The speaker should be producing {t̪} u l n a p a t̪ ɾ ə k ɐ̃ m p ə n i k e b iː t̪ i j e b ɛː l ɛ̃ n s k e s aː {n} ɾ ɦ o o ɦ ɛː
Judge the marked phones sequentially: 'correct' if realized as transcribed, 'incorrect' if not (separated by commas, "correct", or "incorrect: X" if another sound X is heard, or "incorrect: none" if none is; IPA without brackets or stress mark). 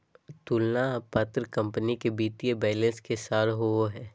correct, incorrect: none